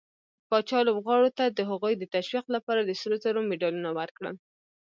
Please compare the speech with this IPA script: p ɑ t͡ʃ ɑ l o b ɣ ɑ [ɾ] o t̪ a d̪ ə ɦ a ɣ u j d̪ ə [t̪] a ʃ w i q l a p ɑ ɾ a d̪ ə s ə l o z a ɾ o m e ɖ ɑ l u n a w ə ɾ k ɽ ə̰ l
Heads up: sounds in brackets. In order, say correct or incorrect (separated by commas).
incorrect, correct